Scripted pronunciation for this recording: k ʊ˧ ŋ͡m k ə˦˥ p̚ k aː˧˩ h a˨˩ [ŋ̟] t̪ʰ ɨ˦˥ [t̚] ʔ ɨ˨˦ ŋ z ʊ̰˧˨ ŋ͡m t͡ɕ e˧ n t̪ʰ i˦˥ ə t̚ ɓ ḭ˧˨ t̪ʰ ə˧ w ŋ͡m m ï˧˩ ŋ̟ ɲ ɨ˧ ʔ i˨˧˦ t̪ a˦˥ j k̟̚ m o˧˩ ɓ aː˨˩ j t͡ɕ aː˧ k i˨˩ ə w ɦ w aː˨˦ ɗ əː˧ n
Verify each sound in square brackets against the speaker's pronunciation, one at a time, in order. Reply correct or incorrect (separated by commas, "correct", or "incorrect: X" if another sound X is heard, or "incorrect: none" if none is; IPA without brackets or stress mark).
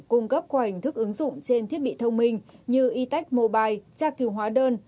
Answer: correct, incorrect: k̚